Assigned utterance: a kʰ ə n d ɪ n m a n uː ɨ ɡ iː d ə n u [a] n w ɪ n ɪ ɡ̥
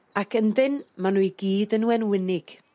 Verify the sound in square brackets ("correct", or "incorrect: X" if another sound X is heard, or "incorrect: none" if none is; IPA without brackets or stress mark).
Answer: incorrect: ɛ